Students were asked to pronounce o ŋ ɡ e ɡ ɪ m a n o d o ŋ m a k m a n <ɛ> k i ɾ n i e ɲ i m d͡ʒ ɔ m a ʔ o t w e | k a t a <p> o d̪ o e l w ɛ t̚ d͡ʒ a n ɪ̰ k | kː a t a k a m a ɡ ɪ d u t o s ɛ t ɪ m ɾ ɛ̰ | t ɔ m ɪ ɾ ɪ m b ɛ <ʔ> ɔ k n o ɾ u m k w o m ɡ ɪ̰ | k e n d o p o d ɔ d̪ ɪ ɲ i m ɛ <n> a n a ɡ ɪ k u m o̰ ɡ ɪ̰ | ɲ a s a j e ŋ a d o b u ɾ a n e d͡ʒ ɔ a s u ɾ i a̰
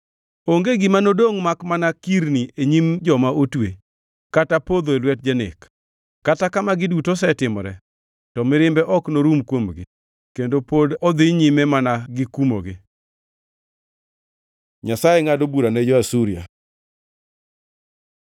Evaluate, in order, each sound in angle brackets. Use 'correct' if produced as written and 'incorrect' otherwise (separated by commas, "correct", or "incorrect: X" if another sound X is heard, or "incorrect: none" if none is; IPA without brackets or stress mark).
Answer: incorrect: a, correct, correct, incorrect: m